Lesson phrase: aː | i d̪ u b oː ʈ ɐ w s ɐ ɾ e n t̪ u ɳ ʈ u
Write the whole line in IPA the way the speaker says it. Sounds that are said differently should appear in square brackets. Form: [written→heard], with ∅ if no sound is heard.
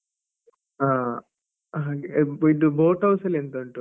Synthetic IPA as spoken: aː | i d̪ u b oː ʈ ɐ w s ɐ [ɾ→l] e n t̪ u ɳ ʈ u